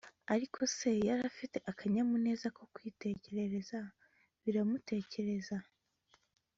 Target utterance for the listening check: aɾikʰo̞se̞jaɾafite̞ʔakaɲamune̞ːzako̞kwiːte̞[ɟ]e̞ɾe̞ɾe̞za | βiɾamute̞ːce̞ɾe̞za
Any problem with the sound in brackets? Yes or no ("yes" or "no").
yes